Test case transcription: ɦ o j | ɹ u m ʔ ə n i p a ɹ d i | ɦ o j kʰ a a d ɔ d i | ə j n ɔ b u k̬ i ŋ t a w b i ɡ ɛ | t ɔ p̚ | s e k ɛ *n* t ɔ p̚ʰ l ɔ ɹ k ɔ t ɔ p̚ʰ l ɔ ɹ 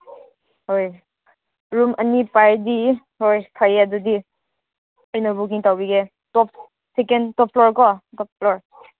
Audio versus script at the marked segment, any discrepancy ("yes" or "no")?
no